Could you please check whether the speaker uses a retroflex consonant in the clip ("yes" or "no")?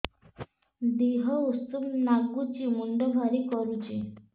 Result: yes